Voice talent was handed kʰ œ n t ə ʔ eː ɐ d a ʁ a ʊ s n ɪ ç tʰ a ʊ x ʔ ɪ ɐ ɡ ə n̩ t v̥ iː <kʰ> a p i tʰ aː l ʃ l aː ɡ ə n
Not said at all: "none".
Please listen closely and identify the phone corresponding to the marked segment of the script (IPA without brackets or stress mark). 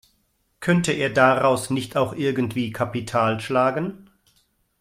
kʰ